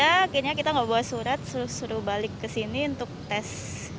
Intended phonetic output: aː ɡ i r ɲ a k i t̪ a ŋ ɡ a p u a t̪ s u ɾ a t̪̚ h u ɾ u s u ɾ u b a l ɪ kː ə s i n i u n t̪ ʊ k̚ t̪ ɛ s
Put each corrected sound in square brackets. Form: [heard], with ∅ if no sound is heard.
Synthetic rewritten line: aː [k] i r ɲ a k i t̪ a ŋ ɡ a [b] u a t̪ s u ɾ a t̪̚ [s] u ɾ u s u ɾ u b a l ɪ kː ə s i n i u n t̪ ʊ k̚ t̪ ɛ s